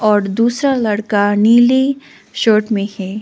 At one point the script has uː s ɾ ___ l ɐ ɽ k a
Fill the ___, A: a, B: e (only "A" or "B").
A